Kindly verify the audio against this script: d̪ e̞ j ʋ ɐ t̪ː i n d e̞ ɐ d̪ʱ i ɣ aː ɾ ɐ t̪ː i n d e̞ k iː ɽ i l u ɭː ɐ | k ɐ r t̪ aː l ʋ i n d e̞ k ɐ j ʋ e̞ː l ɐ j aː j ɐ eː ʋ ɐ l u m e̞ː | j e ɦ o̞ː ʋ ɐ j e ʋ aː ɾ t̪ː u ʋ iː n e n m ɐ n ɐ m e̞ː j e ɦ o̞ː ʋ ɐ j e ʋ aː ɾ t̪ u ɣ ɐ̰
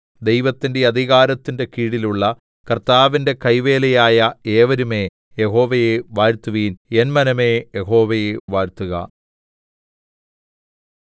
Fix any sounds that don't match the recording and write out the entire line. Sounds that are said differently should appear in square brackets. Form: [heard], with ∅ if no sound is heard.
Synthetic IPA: d̪ e̞ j ʋ ɐ t̪ː i n d e̞ ɐ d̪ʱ i ɣ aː ɾ ɐ t̪ː i n d e̞ k iː ɽ i l u ɭː ɐ | k ɐ r t̪ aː [∅] ʋ i n d e̞ k ɐ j ʋ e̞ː l ɐ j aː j ɐ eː ʋ ɐ [ɾ] u m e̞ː | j e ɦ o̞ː ʋ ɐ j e ʋ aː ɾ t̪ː u ʋ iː n e n m ɐ n ɐ m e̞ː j e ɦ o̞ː ʋ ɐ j e ʋ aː ɾ t̪ u ɣ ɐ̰